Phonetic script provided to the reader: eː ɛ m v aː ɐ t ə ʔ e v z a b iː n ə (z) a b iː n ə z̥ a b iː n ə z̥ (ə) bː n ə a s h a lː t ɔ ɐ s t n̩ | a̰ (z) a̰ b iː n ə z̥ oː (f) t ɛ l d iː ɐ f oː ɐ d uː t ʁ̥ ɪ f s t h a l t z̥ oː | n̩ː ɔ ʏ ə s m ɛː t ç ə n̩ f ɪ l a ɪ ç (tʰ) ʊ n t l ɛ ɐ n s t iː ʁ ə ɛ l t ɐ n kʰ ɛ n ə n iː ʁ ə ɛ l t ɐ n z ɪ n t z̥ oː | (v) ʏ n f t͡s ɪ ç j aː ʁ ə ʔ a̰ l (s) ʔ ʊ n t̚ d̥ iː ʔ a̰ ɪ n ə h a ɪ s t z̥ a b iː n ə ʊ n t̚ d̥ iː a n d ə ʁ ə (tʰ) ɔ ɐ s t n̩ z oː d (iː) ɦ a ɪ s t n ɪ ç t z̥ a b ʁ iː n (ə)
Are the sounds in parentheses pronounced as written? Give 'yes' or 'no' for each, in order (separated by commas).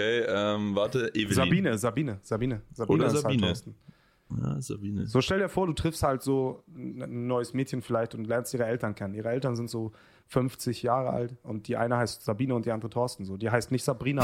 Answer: yes, no, yes, no, no, no, no, yes, yes, no